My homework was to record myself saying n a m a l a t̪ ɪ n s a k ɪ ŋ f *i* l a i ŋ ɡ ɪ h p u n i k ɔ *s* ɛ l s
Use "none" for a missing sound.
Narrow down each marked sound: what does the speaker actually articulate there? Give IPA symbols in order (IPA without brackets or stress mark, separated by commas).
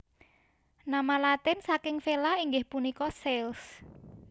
e, s